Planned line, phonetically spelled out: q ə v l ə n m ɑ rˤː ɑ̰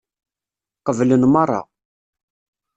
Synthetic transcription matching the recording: q ə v l ə n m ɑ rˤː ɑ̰

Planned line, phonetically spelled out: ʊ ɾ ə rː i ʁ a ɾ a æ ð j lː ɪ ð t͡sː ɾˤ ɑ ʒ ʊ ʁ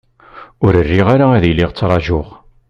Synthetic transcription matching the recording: ʊ ɾ ə rː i ʁ a ɾ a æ ð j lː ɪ ʁ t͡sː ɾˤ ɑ ʒ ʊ ʁ

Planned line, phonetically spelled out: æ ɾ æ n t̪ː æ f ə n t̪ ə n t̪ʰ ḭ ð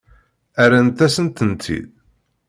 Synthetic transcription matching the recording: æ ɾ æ n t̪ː æ s ə n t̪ ə n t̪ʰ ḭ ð

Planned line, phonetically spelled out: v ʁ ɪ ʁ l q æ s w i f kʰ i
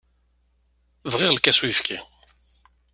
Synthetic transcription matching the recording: v ʁ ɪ ʁ l k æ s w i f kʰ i

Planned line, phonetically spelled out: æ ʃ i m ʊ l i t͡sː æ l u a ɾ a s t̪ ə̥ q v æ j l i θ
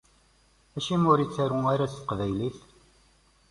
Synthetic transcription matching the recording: æ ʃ i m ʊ ɾ i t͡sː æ ɾ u a ɾ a s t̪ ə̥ q v æ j l i θ

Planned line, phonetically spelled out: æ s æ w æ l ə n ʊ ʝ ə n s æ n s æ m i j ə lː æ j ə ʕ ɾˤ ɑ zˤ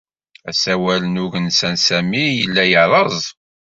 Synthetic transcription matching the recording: æ s æ w æ l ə n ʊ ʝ ə n s æ n s æ m i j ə lː æ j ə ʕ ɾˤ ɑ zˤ

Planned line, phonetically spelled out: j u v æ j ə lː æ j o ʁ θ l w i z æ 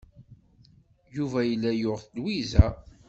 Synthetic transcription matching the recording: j u v æ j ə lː æ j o ʁ θ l w i z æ

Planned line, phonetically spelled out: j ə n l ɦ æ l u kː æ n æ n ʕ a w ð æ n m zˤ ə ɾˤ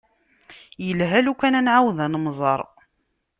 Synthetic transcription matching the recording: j ə l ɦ æ l u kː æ n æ n ʕ a w ð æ n m zˤ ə ɾˤ

